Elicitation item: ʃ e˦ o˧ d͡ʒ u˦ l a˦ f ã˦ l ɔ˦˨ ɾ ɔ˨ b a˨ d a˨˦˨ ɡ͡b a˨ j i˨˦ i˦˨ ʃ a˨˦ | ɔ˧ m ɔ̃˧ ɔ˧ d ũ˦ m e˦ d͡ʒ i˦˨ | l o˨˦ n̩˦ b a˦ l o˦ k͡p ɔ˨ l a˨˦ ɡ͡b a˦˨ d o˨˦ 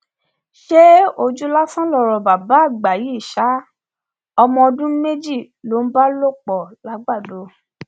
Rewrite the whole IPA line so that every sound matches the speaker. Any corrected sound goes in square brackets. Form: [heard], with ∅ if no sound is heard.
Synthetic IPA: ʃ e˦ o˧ d͡ʒ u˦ l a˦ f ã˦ l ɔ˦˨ ɾ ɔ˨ b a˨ [b] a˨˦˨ ɡ͡b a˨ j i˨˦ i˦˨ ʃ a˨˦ | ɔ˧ m ɔ̃˧ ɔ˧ d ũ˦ m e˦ d͡ʒ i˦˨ | l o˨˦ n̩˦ b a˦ l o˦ k͡p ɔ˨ l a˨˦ ɡ͡b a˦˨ d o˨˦